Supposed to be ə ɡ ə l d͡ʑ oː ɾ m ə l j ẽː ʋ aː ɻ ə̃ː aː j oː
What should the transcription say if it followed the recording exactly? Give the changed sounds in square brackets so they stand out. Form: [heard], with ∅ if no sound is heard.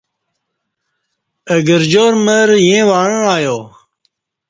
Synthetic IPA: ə ɡ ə [ɾ] d͡ʑ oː ɾ m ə [ɾ] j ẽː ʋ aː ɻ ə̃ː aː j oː